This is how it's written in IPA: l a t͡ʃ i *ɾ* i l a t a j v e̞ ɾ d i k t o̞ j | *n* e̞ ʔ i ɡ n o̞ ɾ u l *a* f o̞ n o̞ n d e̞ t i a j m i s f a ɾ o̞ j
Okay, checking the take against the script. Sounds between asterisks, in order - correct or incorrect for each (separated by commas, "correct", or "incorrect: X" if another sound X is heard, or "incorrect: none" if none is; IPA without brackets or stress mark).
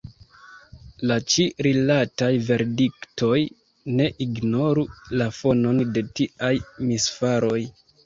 correct, correct, correct